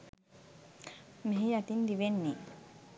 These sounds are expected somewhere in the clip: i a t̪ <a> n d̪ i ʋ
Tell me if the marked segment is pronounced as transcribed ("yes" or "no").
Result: no